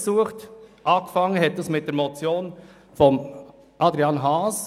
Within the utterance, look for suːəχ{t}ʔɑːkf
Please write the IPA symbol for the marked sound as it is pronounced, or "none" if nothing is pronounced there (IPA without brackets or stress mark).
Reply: t